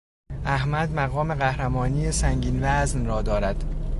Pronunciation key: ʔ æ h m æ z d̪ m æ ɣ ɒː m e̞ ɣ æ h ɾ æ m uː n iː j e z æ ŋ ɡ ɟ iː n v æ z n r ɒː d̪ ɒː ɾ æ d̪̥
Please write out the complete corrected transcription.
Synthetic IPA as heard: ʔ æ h m æ d̪ m æ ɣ ɒː m e̞ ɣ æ h ɾ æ m ɒː n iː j e s æ ŋ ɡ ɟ iː n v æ z n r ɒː d̪ ɒː ɾ æ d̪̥